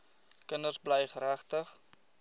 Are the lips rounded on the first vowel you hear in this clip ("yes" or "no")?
no